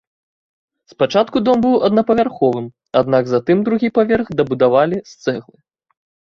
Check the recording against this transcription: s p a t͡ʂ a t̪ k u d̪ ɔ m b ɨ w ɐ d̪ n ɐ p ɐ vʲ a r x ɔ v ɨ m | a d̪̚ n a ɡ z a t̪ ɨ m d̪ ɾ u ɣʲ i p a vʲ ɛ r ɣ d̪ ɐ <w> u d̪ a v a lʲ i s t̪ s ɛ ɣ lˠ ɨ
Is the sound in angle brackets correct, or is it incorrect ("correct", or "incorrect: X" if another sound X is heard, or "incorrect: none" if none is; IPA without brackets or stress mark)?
incorrect: b